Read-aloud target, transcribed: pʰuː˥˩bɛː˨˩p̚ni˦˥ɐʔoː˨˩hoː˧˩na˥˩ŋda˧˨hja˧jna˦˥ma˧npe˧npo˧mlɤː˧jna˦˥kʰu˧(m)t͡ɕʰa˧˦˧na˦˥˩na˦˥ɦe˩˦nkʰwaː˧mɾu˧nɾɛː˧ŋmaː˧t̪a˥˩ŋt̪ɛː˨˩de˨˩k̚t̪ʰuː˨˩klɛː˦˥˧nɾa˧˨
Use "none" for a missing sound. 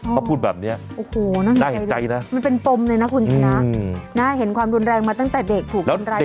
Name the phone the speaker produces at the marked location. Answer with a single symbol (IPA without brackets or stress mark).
n